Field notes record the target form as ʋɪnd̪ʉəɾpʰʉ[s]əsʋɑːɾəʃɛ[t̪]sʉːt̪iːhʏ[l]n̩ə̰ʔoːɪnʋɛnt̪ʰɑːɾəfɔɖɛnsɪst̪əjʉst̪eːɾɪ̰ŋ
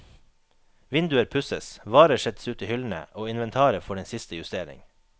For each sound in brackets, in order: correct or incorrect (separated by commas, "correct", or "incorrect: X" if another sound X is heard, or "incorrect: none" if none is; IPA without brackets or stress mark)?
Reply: correct, correct, correct